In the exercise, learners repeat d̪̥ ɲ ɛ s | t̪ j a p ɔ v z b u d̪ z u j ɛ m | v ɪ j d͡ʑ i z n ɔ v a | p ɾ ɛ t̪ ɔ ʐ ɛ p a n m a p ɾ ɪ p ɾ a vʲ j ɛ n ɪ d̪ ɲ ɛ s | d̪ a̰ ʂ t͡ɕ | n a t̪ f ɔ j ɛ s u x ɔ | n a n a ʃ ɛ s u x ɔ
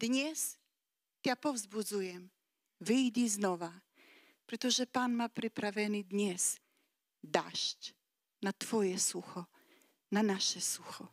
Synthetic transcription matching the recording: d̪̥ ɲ ɛ s | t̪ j a p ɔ v z b u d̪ z u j ɛ m | v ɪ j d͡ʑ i z n ɔ v a | p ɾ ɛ t̪ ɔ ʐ ɛ p a n m a p ɾ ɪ p ɾ a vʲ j ɛ n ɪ d̪ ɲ ɛ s | d̪ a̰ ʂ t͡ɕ | n a t̪ f ɔ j ɛ s u x ɔ | n a n a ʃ ɛ s u x ɔ